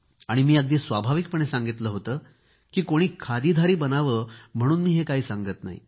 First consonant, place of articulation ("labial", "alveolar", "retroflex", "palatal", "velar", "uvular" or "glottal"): retroflex